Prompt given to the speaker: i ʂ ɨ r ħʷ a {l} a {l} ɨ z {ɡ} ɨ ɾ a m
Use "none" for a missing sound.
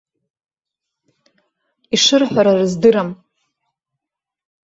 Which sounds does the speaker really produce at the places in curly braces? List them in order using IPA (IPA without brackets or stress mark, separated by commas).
ɾ, r, d